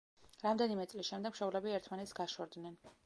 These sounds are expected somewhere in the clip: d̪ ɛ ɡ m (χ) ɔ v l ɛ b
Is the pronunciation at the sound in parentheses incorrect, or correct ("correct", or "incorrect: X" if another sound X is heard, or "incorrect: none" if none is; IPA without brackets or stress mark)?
incorrect: ʃ